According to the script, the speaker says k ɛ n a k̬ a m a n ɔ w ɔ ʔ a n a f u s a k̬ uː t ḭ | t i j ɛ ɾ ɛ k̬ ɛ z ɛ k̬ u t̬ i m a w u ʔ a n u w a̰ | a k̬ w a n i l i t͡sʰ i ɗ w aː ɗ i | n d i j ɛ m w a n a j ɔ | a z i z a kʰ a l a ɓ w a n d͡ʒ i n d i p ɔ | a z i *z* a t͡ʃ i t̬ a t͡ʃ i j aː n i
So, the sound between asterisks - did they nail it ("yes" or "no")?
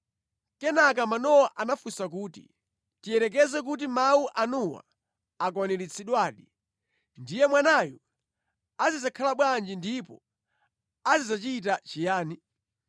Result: yes